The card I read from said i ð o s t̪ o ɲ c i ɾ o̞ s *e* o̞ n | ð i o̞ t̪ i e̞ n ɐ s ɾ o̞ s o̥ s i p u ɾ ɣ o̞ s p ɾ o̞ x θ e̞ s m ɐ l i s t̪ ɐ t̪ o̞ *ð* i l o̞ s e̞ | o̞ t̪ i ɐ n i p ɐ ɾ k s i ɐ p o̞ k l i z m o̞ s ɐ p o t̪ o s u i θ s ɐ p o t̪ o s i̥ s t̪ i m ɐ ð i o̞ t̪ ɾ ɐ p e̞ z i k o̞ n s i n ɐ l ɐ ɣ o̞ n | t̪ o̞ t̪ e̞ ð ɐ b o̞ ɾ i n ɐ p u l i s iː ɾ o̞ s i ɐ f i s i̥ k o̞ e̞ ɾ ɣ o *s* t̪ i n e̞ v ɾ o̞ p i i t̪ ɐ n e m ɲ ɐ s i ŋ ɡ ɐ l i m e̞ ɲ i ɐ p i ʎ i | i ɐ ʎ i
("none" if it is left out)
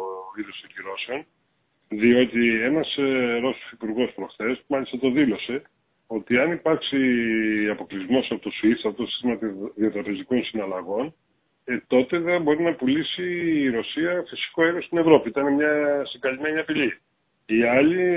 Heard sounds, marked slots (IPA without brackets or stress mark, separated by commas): e, ð, s